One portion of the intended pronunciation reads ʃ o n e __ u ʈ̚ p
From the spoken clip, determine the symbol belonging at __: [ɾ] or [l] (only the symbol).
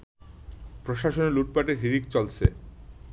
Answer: l